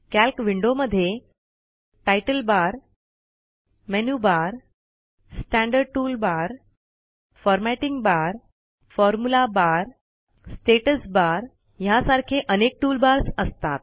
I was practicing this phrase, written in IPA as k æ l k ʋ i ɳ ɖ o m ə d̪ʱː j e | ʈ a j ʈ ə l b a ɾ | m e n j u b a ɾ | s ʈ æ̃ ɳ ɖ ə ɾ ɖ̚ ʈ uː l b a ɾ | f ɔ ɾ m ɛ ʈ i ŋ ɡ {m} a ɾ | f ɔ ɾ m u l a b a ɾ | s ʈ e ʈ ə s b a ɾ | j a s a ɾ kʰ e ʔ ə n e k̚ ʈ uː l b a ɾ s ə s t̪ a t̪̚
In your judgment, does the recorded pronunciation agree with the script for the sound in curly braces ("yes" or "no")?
no